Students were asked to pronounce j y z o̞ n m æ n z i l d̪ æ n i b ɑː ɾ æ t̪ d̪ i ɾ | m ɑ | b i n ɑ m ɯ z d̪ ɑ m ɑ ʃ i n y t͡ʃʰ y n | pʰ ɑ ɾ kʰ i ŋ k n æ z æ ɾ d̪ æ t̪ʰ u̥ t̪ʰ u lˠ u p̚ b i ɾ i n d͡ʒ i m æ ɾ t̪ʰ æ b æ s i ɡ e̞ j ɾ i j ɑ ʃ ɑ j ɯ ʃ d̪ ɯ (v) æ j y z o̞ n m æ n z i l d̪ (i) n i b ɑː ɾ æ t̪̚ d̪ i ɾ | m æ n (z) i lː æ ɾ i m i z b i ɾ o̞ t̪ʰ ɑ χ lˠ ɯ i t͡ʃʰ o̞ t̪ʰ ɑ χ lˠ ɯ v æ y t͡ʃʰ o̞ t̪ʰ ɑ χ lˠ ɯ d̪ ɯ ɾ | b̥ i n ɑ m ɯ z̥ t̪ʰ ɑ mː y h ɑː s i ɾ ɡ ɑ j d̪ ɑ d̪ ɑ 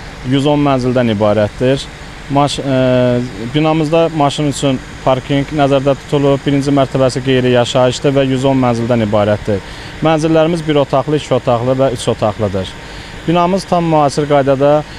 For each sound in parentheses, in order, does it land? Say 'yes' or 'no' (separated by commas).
yes, no, yes